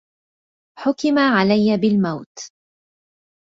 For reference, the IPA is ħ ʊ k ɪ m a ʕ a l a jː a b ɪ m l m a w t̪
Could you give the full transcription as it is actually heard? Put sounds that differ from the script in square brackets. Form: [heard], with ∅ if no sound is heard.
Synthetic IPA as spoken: ħ ʊ k ɪ m a ʕ a l a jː a b ɪ [∅] l m a w t̪